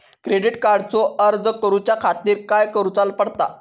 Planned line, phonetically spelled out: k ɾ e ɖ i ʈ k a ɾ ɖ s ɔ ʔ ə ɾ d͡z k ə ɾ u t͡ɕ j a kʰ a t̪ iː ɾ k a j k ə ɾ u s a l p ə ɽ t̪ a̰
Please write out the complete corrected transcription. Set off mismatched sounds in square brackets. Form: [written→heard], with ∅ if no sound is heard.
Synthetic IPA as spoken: k ɾ e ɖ i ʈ k a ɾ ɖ [s→t͡s] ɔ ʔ ə ɾ d͡z k ə ɾ u t͡ɕ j a kʰ a t̪ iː ɾ k a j k ə ɾ u [s→t͡s] a l p ə ɽ t̪ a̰